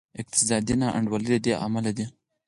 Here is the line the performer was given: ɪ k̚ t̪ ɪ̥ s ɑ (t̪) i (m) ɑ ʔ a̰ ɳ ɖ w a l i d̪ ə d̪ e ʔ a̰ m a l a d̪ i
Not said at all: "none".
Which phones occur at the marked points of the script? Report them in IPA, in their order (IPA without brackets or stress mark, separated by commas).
d̪, n